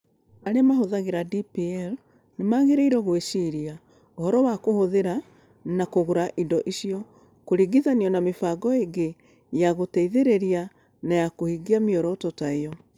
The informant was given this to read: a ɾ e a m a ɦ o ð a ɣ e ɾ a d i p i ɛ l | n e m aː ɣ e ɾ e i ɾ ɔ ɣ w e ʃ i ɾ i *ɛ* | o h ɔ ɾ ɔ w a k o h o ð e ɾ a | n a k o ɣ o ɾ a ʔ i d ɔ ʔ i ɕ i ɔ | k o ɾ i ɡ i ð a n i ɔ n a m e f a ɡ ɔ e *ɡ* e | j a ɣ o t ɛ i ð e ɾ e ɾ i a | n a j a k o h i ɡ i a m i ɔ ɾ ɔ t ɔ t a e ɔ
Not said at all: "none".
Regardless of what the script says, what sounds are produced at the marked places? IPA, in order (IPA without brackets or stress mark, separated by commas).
a, ɡ